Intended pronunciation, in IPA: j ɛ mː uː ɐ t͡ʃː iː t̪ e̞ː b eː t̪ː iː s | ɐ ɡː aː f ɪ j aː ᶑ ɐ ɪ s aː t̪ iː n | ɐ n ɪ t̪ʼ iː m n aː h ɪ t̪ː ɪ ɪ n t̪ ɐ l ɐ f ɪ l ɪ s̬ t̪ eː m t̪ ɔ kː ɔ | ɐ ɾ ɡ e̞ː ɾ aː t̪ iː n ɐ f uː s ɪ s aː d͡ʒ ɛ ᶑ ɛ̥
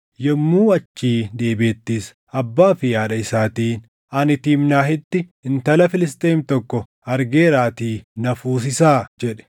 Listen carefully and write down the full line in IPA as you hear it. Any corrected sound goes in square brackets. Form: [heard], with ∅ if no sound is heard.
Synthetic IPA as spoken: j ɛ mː uː ɐ t͡ʃː iː [d̪] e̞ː b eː t̪ː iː s | ɐ [bː] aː f ɪ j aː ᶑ ɐ ɪ s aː t̪ iː n | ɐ n ɪ [t̪] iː m n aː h ɪ t̪ː ɪ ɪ n t̪ ɐ l ɐ f ɪ l ɪ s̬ t̪ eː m t̪ ɔ kː ɔ | ɐ ɾ ɡ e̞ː ɾ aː t̪ iː n ɐ f uː s ɪ s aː d͡ʒ ɛ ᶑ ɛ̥

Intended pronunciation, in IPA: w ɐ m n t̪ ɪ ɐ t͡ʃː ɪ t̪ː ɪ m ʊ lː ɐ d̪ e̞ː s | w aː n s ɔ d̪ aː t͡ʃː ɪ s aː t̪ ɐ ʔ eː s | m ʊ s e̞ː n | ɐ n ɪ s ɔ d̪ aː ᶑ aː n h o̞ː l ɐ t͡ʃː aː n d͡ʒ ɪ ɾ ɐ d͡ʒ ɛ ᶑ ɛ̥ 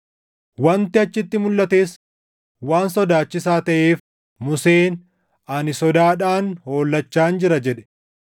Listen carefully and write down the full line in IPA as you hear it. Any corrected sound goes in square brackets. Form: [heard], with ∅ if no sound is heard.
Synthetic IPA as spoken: w ɐ [∅] n t̪ ɪ ɐ t͡ʃː ɪ t̪ː ɪ m ʊ lː ɐ [t̪] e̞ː s | w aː n s ɔ d̪ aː t͡ʃː ɪ s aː t̪ ɐ ʔ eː [f] | m ʊ s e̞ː n | ɐ n ɪ s ɔ d̪ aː ᶑ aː n h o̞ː [lː] ɐ t͡ʃː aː n d͡ʒ ɪ ɾ ɐ d͡ʒ ɛ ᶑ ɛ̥

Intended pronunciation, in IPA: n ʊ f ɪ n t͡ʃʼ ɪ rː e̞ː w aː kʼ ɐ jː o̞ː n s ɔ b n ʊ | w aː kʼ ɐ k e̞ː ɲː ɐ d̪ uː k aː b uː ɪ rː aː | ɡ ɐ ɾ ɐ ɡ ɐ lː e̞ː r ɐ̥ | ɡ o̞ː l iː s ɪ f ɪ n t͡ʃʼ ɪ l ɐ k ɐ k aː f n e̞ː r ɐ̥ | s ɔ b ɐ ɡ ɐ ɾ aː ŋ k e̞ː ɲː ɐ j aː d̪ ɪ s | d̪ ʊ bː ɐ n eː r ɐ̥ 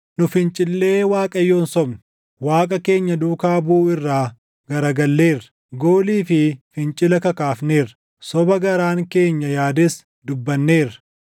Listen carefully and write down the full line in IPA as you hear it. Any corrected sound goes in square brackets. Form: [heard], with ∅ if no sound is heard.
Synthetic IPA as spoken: n ʊ f ɪ n t͡ʃʼ ɪ [lː] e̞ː w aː kʼ ɐ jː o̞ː n s ɔ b n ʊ | w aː kʼ ɐ k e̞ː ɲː ɐ d̪ uː k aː b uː ɪ rː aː | ɡ ɐ ɾ ɐ ɡ ɐ lː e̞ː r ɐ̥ | ɡ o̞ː l iː [f] ɪ f ɪ n t͡ʃʼ ɪ l ɐ k ɐ k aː f n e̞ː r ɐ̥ | s ɔ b ɐ ɡ ɐ ɾ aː ŋ k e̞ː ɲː ɐ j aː d̪ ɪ s | d̪ ʊ bː ɐ [nː] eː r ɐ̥

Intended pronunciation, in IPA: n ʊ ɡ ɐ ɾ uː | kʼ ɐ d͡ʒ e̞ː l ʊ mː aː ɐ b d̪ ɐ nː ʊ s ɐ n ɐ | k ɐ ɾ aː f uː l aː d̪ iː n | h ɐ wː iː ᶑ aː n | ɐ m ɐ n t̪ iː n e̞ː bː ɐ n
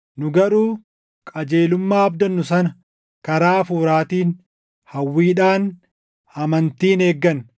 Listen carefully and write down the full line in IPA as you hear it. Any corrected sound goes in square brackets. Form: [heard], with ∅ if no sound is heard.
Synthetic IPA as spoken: n ʊ ɡ ɐ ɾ uː | kʼ ɐ d͡ʒ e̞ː l ʊ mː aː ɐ b d̪ ɐ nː ʊ s ɐ n ɐ | k ɐ ɾ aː f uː [ɾ] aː [t̪] iː n | h ɐ wː iː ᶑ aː n | ɐ m ɐ n t̪ iː n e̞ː [ɡː] ɐ n

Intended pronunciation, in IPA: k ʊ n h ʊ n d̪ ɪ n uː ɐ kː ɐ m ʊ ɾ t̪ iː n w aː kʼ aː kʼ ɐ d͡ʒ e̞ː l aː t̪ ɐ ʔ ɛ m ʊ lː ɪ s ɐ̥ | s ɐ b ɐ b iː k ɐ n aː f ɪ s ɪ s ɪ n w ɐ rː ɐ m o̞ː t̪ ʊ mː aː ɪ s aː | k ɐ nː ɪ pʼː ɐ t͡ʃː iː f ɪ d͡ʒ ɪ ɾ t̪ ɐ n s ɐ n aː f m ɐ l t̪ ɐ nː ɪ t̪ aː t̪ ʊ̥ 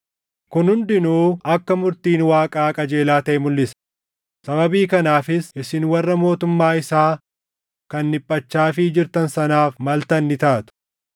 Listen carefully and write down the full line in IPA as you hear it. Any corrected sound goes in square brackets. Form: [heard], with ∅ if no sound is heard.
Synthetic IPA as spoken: k ʊ n h ʊ n d̪ ɪ n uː ɐ kː ɐ m ʊ ɾ t̪ iː n w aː kʼ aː kʼ ɐ d͡ʒ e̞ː l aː t̪ ɐ ʔ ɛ m ʊ lː ɪ s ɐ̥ | s ɐ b ɐ b iː k ɐ n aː f ɪ s ɪ s ɪ n w ɐ rː ɐ m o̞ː t̪ ʊ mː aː ɪ s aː | k ɐ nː ɪ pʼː ɐ t͡ʃː [aː] f ɪ d͡ʒ ɪ ɾ t̪ ɐ n s ɐ n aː f m ɐ l t̪ ɐ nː ɪ t̪ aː t̪ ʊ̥

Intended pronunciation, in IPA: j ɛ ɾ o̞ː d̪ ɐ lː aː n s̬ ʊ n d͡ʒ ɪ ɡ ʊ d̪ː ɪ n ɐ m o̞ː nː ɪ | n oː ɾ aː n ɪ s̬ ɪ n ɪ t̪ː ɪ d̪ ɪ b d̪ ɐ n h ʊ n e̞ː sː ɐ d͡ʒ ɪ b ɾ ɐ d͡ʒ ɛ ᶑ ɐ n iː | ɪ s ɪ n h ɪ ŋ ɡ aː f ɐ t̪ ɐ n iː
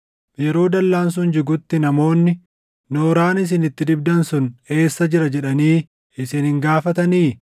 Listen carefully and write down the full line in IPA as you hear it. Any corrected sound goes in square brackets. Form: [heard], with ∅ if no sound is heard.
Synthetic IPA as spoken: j ɛ ɾ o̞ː d̪ ɐ lː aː n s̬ ʊ n d͡ʒ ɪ ɡ ʊ [t̪ː] ɪ n ɐ m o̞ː nː ɪ | n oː ɾ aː n ɪ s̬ ɪ n ɪ t̪ː ɪ d̪ ɪ b d̪ ɐ n [s] ʊ n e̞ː sː ɐ d͡ʒ ɪ [∅] ɾ ɐ d͡ʒ ɛ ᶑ ɐ n iː | ɪ s ɪ n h ɪ ŋ ɡ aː f ɐ t̪ ɐ n iː

